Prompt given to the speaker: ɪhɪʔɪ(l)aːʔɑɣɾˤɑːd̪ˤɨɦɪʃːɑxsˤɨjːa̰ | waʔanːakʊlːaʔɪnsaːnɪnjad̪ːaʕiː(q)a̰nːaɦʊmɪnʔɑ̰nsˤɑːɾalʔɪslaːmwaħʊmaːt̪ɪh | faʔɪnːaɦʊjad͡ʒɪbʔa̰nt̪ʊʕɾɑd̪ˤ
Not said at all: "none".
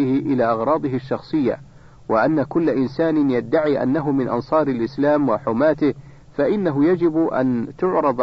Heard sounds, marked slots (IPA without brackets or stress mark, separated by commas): l, ʔ